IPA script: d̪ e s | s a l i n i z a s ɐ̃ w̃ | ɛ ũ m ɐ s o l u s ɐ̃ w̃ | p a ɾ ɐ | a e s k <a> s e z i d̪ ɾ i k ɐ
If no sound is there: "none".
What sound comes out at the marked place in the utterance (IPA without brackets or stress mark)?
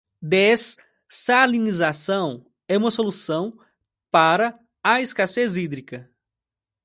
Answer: a